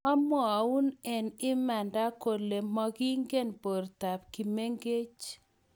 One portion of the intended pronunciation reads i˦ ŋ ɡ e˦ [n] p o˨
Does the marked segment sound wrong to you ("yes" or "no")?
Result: no